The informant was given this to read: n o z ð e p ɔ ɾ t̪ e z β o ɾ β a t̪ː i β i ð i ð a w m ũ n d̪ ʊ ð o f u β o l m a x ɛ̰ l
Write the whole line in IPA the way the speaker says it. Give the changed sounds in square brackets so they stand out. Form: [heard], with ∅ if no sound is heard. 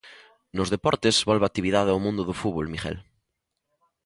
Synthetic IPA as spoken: n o z ð e p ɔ ɾ t̪ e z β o [l] β a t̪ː i β i ð [a] ð a w m ũ n d̪ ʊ ð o f u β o l m [i] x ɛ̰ l